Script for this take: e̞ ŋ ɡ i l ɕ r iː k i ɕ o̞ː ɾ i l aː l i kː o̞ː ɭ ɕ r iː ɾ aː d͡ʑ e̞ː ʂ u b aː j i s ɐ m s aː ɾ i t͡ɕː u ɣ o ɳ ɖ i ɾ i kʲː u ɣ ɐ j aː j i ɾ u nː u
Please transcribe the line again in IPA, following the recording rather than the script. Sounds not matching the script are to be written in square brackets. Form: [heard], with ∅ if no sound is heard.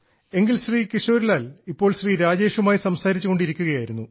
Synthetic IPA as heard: e̞ ŋ ɡ i l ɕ r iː k i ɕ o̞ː ɾ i l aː l i [pː] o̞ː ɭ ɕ r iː ɾ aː d͡ʑ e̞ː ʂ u [m] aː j i s ɐ m s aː ɾ i t͡ɕː u ɣ o ɳ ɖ i ɾ i kʲː u ɣ ɐ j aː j i ɾ u nː u